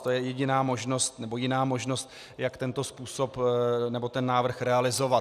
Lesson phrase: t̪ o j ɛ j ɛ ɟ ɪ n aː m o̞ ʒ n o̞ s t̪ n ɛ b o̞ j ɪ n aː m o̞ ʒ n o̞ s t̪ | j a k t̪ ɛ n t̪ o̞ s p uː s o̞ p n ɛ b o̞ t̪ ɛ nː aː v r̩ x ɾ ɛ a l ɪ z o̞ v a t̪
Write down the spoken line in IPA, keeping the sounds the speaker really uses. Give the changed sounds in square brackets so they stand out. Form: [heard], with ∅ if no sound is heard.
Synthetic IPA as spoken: t̪ o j ɛ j ɛ ɟ ɪ n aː m o̞ ʒ n o̞ s t̪ n ɛ b o̞ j ɪ n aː m o̞ ʒ n o̞ s t̪ | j a k t̪ ɛ n t̪ o̞ s p uː s o̞ p n ɛ b o̞ t̪ ɛ nː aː v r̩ x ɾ ɛ a l ɪ z o̞ v a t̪

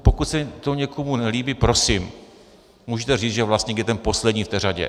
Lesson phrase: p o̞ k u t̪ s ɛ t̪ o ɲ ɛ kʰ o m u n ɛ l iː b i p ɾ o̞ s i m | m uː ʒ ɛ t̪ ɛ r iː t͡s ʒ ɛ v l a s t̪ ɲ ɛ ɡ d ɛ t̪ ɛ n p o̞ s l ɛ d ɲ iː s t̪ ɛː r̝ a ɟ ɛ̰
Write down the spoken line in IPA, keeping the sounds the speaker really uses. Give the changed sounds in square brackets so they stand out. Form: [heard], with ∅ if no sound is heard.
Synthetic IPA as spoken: p o̞ k u t̪ s ɛ t̪ o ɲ ɛ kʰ o m u n ɛ l iː b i p ɾ o̞ s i m | m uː ʒ ɛ t̪ ɛ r iː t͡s ʒ ɛ v l a s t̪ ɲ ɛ ɡ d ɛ t̪ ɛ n p o̞ s l ɛ d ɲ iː [f] t̪ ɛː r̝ a ɟ ɛ̰

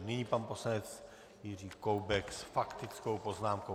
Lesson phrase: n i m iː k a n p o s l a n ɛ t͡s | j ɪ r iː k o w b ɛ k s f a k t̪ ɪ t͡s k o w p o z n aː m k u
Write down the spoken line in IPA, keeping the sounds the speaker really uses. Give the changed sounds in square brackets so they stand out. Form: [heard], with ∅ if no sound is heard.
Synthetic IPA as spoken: n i [ɲ] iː [p] a n p o s l a n ɛ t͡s | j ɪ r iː k o w b ɛ k s f a k t̪ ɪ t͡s k o w p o z n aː m k [o]

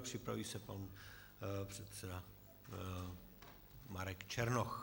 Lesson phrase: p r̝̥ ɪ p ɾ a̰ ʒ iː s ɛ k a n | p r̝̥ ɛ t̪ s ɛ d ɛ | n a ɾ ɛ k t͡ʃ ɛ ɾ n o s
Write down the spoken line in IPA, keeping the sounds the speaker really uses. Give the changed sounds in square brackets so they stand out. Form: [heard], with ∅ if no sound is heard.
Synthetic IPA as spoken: p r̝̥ ɪ p ɾ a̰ [v] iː s ɛ [p] a n | p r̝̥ ɛ t̪ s ɛ d [a] | [m] a ɾ ɛ k t͡ʃ ɛ ɾ n o [x]

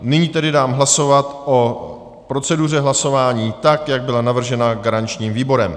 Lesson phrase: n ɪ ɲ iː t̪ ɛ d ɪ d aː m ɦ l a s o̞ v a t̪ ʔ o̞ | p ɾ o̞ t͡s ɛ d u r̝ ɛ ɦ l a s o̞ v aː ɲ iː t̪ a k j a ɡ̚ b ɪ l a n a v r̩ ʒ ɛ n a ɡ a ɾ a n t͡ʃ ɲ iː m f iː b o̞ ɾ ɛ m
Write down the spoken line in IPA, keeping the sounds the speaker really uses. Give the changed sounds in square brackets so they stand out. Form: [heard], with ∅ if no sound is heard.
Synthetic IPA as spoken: n ɪ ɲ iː t̪ ɛ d ɪ d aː m ɦ l a s o̞ v a t̪ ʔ o̞ | p ɾ o̞ t͡s ɛ d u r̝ ɛ ɦ l a s o̞ v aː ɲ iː t̪ a k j a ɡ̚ b ɪ l a n a v r̩ ʒ ɛ n a ɡ a ɾ a n t͡ʃ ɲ iː m [v] iː b o̞ ɾ ɛ m

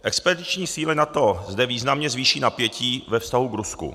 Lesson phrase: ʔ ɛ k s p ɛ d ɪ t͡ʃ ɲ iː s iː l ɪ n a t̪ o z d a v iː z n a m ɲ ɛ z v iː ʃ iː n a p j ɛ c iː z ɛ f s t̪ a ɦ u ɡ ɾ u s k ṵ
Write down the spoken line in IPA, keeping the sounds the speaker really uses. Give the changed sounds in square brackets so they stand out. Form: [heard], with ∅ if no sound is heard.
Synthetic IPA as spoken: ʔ ɛ k s p ɛ d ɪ t͡ʃ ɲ iː s iː l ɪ n a t̪ o z d [ɛ] v iː z n a m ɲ ɛ z v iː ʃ iː n a p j ɛ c iː [v] ɛ f s t̪ a ɦ u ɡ ɾ u s k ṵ

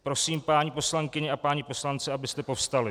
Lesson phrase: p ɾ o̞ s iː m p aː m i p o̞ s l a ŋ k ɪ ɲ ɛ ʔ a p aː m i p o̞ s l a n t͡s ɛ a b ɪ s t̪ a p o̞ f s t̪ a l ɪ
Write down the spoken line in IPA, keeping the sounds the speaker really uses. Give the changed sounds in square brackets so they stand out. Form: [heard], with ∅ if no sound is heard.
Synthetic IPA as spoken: p ɾ o̞ s iː m p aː [ɲ] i p o̞ s l a ŋ k ɪ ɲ ɛ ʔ a p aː [ɲ] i p o̞ s l a n t͡s ɛ a b ɪ s t̪ [ɛ] p o̞ f s t̪ a l ɪ

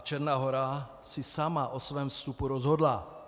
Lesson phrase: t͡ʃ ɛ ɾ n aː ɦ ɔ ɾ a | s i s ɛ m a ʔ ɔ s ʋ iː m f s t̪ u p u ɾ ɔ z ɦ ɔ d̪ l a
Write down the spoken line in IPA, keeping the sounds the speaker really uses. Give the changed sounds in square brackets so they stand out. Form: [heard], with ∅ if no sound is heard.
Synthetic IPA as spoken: t͡ʃ ɛ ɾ n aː ɦ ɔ ɾ a | s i s [a] m a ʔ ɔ s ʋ [ɛː] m f s t̪ u p u ɾ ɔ z ɦ ɔ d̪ l a

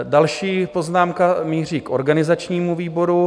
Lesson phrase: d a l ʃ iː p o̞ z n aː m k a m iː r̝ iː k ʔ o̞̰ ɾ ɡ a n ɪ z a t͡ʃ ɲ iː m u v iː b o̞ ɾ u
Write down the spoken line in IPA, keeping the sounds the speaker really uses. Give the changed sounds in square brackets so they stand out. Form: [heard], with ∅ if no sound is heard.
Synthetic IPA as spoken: d a l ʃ iː p o̞ z n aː m k a m iː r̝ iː k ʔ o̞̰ ɾ ɡ a n ɪ z a t͡ʃ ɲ iː m u v iː b o̞ ɾ u

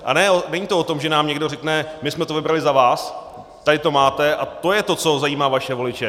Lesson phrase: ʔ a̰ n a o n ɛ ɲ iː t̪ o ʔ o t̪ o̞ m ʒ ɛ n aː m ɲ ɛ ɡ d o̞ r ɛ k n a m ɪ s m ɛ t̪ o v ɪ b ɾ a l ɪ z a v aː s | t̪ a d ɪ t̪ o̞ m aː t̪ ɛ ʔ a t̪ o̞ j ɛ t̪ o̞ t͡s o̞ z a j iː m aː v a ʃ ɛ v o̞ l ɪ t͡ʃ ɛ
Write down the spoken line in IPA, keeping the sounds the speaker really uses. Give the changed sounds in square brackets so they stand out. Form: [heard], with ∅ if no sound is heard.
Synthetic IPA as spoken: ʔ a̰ n [ɛ] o n ɛ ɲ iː t̪ o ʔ o t̪ o̞ m ʒ ɛ n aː m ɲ ɛ ɡ d o̞ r ɛ k n [ɛ] m ɪ s m ɛ t̪ o v ɪ b ɾ a l ɪ z a v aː s | t̪ a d ɪ t̪ o̞ m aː t̪ ɛ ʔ a t̪ o̞ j ɛ t̪ o̞ t͡s o̞ z a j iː m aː v a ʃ ɛ v o̞ l ɪ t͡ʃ ɛ

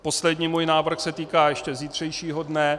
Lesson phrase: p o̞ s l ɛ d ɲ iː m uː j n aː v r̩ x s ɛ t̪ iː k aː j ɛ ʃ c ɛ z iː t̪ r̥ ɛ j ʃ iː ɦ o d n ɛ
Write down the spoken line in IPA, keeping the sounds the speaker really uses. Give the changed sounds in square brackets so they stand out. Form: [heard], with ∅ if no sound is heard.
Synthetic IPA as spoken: p o̞ s l ɛ d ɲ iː m uː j n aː v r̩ x s ɛ t̪ iː k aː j ɛ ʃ c ɛ z iː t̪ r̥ ɛ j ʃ iː ɦ o d n ɛ

